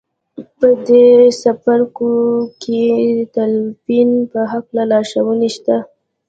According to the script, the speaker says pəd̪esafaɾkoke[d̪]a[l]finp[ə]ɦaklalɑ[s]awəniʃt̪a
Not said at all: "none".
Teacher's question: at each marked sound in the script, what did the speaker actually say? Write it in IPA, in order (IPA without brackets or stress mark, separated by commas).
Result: t̪, l, ə, ʃ